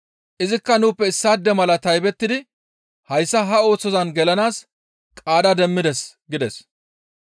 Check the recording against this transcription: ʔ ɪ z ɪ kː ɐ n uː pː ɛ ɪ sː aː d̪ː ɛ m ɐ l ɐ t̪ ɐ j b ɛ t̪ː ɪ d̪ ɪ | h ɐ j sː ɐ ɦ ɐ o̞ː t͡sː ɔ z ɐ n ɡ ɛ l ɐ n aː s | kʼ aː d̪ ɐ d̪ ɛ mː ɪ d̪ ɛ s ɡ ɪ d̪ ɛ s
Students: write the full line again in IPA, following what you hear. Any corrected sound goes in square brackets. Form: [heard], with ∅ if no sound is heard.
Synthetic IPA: ʔ ɪ z ɪ kː ɐ n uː pː ɛ ɪ sː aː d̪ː ɛ m ɐ l ɐ t̪ ɐ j b ɛ t̪ː ɪ d̪ ɪ | h ɐ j sː ɐ ɦ ɐ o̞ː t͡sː ɔ z ɐ n ɡ ɛ l ɐ n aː s | kʼ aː d̪ ɐ d̪ ɛ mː ɪ d̪ ɛ s ɡ ɪ d̪ ɛ s